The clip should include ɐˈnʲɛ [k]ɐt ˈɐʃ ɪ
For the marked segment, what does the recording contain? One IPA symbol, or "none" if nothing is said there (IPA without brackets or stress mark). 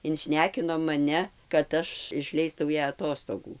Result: k